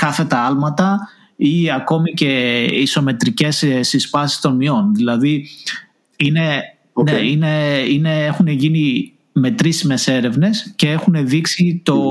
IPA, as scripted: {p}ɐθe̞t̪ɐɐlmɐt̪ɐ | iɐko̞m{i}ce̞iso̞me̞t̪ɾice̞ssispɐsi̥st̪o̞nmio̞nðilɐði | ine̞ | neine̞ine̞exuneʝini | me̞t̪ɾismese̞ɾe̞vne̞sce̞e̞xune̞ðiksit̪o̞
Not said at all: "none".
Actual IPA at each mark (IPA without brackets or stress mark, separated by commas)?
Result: k, i